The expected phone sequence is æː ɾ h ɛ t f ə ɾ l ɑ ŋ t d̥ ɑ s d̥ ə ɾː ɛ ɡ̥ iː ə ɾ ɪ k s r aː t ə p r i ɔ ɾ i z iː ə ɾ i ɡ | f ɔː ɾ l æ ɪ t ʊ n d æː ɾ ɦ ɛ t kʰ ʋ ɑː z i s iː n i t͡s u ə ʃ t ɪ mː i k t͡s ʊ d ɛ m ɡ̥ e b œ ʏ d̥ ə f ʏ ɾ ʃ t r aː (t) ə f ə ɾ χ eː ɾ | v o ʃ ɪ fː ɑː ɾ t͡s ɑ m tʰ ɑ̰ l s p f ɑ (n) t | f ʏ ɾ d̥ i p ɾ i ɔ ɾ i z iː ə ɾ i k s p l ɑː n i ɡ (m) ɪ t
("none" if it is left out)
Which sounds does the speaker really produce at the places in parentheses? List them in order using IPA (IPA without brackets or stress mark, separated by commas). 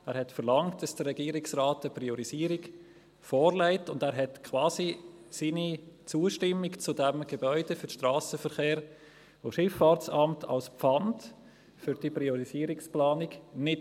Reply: s, n, n